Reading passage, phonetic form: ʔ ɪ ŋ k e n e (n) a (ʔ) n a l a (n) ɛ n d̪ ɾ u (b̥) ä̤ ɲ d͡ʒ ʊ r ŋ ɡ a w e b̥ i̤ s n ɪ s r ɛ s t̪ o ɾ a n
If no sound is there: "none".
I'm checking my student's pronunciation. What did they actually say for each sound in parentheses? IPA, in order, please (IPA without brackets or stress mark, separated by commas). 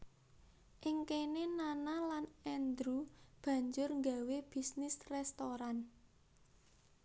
n, none, n, b̥